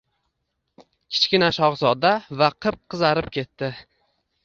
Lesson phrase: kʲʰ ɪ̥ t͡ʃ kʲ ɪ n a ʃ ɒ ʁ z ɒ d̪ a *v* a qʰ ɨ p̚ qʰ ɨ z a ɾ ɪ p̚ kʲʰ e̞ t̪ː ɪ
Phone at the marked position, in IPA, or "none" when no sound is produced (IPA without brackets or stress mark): v